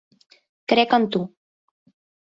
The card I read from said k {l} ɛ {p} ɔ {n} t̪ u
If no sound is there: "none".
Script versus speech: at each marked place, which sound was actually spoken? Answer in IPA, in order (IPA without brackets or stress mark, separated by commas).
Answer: ɾ, k, n